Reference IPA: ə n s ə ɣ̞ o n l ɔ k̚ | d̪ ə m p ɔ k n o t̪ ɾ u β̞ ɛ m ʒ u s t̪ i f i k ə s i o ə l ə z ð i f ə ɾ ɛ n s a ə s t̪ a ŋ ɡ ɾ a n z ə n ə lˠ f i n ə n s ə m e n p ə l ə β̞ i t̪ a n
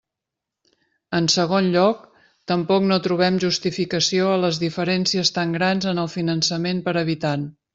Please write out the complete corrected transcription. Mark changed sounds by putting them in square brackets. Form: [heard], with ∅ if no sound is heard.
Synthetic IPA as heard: ə n s ə ɣ̞ o n [ʎ] ɔ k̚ | [t̪] ə m p ɔ k n o t̪ ɾ u β̞ ɛ m ʒ u s t̪ i f i k ə s i o ə l ə z ð i f ə ɾ ɛ n s [i] ə s t̪ a ŋ ɡ ɾ a n z ə n ə lˠ f i n ə n s ə m e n p ə [ɾ] ə β̞ i t̪ a n